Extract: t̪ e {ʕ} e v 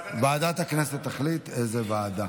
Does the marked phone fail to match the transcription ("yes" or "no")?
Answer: yes